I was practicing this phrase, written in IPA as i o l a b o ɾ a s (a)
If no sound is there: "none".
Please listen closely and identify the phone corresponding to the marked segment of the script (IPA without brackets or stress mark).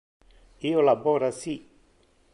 i